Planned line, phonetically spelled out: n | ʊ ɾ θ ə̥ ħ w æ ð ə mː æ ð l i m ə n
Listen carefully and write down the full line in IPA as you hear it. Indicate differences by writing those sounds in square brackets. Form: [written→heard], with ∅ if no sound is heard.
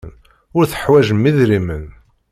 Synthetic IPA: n | ʊ ɾ θ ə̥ ħ w æ [ð→ʒ] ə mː [æ→i] ð [l→ɾ] i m ə n